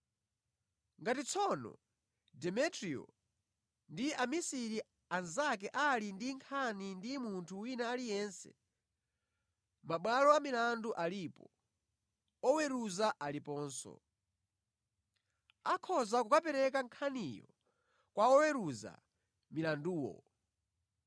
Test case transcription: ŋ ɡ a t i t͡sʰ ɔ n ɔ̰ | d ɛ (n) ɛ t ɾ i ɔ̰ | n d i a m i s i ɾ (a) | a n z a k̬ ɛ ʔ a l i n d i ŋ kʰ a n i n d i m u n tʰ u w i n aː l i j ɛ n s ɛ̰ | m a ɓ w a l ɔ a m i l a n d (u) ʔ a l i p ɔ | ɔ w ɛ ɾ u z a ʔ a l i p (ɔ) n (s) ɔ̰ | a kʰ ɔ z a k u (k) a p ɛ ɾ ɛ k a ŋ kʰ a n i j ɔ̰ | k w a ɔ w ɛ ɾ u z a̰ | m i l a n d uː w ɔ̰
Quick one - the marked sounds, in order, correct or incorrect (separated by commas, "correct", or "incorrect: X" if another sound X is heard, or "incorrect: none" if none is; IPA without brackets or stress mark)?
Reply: incorrect: m, incorrect: i, correct, incorrect: ɔː, correct, correct